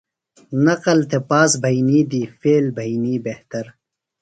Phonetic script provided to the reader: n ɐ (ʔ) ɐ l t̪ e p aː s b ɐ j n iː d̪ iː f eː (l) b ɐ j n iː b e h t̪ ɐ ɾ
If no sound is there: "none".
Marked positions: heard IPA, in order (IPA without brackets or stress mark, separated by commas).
q, l